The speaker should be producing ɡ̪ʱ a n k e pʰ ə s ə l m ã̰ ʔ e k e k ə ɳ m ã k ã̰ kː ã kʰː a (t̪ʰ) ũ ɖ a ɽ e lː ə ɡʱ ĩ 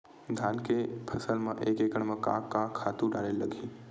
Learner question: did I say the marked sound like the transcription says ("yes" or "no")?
no